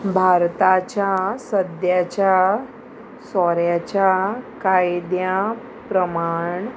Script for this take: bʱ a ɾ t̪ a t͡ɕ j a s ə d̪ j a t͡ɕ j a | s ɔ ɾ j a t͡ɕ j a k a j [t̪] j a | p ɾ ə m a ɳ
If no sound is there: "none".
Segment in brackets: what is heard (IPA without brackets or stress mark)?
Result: d̪